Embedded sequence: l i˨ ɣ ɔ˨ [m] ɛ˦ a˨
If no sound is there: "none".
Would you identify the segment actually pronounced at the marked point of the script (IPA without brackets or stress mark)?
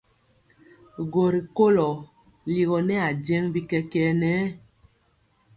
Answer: n